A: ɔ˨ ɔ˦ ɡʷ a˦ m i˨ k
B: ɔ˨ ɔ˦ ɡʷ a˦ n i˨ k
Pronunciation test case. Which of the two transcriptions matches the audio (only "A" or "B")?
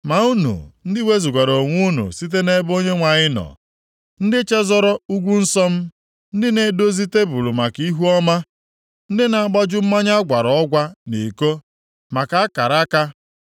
B